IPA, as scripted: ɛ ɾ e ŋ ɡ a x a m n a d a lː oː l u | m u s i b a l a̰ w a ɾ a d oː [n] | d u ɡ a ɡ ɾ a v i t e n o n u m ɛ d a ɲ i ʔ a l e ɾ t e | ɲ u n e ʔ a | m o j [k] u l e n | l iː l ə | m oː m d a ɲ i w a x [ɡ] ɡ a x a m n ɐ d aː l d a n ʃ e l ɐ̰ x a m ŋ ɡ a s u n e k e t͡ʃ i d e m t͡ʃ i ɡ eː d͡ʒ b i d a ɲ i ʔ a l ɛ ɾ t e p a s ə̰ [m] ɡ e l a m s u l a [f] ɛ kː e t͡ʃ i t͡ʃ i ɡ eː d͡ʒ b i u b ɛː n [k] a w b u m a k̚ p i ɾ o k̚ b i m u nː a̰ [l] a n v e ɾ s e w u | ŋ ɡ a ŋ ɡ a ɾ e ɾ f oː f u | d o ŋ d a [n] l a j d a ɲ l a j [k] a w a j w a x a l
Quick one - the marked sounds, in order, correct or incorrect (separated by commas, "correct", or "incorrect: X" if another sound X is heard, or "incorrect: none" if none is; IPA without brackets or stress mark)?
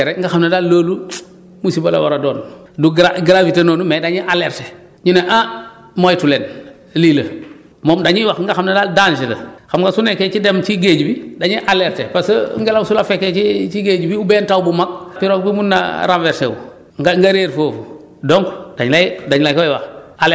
correct, incorrect: t, incorrect: ŋ, incorrect: ŋ, correct, incorrect: t, incorrect: ɾ, incorrect: ɲ, correct